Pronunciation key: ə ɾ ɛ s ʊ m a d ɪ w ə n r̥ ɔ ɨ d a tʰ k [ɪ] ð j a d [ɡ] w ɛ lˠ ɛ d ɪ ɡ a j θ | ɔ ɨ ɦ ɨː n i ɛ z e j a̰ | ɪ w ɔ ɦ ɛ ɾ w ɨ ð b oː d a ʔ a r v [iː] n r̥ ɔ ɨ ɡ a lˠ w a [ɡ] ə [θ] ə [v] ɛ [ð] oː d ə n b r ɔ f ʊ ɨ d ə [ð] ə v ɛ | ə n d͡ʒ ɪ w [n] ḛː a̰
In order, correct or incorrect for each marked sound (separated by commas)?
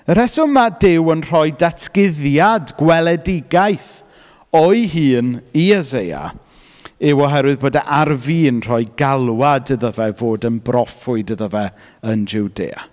correct, correct, correct, incorrect, incorrect, correct, incorrect, correct, incorrect